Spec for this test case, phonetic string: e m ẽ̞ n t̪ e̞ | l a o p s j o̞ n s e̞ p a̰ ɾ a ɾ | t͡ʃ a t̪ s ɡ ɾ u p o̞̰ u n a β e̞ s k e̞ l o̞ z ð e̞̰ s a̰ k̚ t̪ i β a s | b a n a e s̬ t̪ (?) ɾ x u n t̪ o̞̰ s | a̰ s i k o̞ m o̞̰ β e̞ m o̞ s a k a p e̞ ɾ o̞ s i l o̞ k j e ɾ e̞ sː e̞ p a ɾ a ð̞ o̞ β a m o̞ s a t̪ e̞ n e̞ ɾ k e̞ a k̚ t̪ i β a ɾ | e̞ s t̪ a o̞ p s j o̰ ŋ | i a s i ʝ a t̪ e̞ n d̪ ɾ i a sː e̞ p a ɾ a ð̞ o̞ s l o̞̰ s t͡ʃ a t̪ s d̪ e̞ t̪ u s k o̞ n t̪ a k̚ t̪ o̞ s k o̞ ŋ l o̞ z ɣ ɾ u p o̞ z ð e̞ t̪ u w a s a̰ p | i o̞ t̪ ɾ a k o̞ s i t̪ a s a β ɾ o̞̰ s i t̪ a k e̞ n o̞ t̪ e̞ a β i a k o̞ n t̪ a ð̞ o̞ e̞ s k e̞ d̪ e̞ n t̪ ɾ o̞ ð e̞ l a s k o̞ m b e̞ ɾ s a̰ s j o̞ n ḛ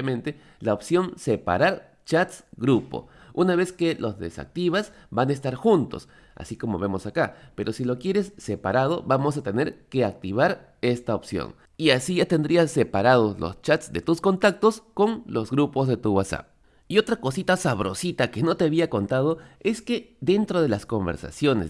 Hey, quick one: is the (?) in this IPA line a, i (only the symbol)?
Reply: a